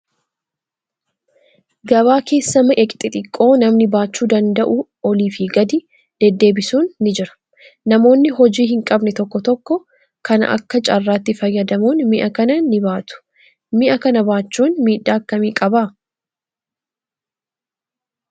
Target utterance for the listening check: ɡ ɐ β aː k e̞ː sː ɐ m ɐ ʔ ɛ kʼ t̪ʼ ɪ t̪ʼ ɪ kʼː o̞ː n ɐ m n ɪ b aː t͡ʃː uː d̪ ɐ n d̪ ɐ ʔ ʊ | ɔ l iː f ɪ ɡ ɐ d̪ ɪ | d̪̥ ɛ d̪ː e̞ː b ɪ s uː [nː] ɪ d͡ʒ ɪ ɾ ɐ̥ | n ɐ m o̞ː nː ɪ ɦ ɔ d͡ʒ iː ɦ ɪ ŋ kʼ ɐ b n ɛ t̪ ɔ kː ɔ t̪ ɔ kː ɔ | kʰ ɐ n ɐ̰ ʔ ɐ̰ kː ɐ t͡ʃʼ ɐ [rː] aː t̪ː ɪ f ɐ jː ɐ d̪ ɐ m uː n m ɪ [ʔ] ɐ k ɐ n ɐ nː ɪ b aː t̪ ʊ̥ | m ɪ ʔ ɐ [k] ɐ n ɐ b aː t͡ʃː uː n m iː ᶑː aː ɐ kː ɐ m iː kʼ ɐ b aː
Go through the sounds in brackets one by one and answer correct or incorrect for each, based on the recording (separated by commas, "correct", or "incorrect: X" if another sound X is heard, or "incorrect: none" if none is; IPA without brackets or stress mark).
correct, correct, correct, correct